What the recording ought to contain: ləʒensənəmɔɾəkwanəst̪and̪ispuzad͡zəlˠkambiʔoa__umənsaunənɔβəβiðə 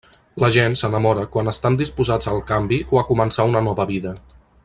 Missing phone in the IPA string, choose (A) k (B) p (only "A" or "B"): A